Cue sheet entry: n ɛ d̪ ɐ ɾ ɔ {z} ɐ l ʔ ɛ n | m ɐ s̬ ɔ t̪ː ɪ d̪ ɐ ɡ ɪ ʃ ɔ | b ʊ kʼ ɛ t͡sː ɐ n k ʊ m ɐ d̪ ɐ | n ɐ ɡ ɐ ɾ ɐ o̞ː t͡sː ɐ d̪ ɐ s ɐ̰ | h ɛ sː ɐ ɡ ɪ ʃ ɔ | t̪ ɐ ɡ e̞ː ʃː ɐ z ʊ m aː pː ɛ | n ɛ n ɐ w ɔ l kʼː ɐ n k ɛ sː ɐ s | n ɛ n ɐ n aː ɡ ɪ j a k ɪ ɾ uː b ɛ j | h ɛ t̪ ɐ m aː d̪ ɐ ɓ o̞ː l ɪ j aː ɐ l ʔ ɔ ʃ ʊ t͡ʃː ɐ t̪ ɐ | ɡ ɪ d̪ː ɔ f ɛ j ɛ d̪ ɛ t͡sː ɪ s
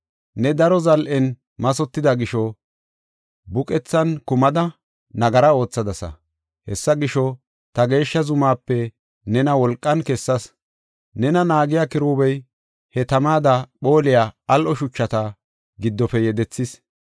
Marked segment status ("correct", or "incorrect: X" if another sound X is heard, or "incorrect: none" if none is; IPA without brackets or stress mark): correct